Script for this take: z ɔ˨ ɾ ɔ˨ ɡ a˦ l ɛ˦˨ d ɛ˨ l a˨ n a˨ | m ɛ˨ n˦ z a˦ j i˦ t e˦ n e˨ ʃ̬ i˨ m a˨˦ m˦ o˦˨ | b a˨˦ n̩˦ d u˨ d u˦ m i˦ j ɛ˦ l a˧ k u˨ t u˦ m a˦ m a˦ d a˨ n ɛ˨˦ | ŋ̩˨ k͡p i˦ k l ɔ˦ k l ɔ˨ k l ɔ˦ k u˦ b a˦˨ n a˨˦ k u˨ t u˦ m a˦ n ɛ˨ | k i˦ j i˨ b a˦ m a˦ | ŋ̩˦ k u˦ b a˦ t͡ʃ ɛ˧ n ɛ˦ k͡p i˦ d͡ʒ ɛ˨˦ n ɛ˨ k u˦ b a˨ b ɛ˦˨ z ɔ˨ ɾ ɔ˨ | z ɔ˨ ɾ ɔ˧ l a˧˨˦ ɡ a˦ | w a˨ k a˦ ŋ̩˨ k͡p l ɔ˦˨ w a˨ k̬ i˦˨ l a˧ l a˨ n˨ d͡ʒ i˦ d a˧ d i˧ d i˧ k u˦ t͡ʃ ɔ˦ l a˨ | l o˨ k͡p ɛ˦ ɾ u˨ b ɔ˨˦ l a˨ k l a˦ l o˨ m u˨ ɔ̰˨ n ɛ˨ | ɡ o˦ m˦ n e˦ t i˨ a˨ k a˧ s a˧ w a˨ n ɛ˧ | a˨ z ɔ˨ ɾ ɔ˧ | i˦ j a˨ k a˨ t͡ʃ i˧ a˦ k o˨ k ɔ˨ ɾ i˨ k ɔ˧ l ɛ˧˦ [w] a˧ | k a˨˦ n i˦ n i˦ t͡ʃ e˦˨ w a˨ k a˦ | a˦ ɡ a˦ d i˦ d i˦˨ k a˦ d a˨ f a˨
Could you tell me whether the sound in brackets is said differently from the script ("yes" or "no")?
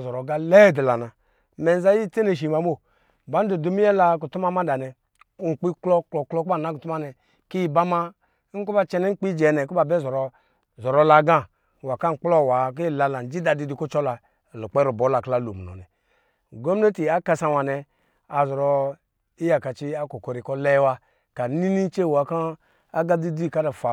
no